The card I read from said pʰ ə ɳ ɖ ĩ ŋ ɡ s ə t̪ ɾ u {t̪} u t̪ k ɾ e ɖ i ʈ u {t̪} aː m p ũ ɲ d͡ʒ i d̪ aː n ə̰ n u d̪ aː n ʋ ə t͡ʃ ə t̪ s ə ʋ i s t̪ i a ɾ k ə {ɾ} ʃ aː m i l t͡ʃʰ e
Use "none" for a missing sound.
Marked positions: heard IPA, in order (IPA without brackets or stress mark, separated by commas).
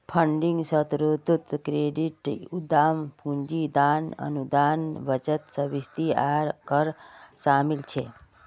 t̪, d̪, ɾ